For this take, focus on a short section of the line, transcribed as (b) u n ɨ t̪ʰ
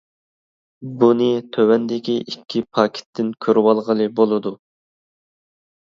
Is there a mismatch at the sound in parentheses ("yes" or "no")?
no